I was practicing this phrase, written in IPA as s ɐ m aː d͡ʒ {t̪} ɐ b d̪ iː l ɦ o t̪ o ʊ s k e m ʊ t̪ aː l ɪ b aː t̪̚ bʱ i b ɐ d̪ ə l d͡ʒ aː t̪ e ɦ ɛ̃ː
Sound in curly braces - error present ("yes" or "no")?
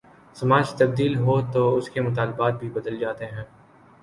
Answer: no